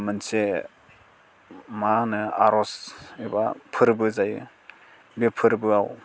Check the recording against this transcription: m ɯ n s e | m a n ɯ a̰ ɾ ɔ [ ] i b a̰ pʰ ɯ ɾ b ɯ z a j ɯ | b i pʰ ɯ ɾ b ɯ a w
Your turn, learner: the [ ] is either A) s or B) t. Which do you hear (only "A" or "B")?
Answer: A